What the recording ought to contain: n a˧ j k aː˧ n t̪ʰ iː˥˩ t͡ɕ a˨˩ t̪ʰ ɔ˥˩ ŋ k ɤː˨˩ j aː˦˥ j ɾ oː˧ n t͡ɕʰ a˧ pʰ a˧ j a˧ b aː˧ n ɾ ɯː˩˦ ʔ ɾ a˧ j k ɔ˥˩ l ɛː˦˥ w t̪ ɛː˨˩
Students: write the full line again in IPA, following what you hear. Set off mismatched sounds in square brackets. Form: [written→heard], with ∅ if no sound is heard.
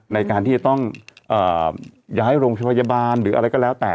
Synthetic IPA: n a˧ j k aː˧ n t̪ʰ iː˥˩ t͡ɕ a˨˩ [t̪ʰ→t̪] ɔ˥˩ ŋ [k→ʔ] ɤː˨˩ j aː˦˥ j ɾ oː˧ [n→ŋ] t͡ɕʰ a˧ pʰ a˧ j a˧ b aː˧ n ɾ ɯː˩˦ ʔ ɾ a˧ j k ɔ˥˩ l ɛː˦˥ w t̪ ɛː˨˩

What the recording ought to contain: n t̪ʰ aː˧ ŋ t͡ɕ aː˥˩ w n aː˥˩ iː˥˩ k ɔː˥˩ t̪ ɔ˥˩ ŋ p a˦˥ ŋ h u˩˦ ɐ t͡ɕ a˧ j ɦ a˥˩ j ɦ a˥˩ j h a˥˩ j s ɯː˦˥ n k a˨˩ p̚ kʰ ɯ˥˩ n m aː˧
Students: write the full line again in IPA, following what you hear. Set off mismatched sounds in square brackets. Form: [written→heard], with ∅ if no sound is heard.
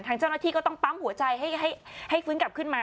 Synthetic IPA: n t̪ʰ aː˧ ŋ t͡ɕ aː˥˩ w n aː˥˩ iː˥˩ k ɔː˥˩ t̪ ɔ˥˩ ŋ p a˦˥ [ŋ→m] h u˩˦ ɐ t͡ɕ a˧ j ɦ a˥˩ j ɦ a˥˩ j h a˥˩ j [s→f] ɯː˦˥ n k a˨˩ p̚ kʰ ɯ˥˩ n m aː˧

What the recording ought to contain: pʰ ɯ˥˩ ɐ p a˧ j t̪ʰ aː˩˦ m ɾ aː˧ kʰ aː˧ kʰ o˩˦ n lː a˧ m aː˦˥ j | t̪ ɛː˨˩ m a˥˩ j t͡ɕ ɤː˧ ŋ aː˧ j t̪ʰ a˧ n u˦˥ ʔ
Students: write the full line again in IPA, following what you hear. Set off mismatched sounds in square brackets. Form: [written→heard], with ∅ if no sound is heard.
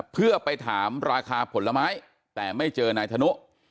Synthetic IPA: pʰ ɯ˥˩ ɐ p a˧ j t̪ʰ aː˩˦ m ɾ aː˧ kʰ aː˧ [kʰ→pʰ] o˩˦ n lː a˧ m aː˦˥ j | t̪ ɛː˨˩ m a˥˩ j t͡ɕ ɤː˧ [ŋ→n] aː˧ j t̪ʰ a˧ n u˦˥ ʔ

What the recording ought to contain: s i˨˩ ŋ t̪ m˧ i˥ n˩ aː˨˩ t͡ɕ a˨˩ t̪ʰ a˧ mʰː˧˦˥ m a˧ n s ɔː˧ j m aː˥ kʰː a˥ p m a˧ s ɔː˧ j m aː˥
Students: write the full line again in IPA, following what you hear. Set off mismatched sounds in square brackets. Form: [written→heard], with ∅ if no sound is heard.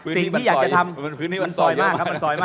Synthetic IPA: s i˨˩ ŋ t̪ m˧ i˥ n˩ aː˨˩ t͡ɕ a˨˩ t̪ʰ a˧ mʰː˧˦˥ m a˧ n s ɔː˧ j m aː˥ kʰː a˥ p m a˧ s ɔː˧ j m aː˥

